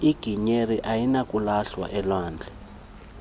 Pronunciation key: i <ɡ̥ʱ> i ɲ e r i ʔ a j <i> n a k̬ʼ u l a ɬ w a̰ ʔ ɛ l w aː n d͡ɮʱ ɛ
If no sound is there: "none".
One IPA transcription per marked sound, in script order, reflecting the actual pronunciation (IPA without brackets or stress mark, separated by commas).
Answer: ɡ̥ʱ, i